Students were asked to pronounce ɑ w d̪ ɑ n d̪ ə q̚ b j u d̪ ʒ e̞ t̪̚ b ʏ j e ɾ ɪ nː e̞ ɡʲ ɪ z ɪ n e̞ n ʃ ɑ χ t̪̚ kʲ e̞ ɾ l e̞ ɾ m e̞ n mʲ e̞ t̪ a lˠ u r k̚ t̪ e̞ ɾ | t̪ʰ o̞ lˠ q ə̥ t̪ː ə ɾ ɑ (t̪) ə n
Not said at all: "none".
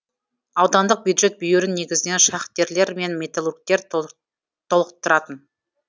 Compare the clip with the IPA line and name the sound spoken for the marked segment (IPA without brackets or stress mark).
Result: t̪